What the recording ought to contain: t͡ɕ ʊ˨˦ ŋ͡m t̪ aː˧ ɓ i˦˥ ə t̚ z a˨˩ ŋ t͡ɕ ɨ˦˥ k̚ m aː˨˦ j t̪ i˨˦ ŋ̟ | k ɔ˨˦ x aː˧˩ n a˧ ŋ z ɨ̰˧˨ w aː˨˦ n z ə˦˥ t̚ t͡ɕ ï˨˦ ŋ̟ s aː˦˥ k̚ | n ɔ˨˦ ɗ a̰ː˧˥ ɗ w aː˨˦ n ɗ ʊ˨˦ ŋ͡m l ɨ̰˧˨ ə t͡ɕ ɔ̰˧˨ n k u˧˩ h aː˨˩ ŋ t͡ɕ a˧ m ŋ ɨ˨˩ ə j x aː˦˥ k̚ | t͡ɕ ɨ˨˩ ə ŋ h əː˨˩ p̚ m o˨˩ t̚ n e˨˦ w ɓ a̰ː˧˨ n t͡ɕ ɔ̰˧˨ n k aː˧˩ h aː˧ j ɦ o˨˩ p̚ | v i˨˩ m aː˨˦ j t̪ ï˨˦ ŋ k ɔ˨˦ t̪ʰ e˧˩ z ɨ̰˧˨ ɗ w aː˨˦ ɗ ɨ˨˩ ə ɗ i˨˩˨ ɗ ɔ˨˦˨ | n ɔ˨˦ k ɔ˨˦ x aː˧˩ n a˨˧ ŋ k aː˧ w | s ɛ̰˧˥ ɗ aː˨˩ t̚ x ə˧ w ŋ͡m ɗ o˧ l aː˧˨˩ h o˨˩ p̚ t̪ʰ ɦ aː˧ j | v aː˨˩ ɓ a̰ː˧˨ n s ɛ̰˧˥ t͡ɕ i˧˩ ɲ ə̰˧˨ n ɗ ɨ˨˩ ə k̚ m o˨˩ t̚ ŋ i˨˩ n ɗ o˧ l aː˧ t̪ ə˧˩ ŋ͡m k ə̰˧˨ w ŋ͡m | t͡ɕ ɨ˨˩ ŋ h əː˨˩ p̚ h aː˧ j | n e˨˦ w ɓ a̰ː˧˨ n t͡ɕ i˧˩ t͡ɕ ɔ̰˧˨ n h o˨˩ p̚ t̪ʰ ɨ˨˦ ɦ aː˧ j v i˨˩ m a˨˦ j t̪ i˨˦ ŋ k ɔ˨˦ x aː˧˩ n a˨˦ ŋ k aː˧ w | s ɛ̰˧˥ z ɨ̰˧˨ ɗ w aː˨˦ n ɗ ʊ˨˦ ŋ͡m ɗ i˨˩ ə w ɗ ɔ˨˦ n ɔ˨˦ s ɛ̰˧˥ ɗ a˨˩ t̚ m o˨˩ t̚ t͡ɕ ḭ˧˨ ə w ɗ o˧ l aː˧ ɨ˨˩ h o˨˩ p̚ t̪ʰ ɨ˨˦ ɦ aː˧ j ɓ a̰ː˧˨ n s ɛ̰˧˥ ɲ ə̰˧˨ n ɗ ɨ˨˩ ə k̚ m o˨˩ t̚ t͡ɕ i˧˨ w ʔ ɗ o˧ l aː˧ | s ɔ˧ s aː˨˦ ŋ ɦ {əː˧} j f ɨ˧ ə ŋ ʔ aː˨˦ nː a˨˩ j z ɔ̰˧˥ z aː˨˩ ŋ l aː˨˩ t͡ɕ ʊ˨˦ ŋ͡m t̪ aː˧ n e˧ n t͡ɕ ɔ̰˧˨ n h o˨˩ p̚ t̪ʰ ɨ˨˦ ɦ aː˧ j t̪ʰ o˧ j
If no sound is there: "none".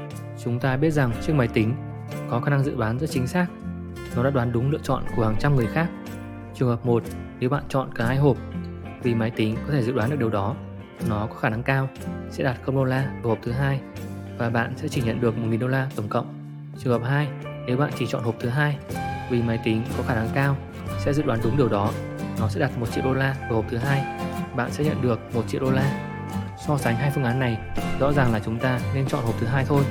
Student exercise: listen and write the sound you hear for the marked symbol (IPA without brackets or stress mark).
aː˧